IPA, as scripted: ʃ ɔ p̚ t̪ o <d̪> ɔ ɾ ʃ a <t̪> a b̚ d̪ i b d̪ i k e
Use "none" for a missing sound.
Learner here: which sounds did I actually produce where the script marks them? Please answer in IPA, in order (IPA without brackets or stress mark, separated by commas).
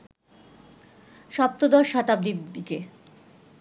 d̪, t̪